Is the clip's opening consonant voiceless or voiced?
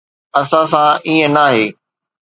voiceless